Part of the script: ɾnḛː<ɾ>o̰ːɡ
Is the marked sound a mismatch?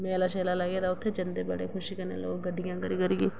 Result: yes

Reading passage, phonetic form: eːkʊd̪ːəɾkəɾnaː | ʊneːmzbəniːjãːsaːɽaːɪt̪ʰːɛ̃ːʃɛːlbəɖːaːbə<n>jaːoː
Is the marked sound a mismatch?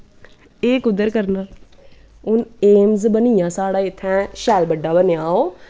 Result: no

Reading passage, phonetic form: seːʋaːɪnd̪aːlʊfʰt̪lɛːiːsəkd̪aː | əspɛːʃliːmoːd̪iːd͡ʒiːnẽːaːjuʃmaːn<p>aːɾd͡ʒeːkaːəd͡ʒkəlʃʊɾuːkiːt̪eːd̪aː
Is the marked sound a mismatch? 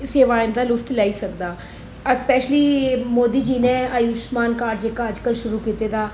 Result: yes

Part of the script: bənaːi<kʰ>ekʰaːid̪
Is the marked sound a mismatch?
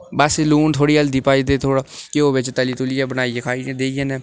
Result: yes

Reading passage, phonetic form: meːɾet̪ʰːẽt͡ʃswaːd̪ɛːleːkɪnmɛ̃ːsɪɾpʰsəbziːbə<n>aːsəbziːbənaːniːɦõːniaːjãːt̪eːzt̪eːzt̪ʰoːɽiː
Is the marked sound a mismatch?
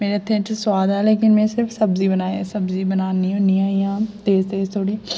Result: no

